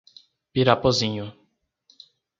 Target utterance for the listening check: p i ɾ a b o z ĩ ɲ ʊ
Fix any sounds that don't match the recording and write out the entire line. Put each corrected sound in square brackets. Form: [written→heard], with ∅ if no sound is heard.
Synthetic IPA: p i ɾ a [b→p] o z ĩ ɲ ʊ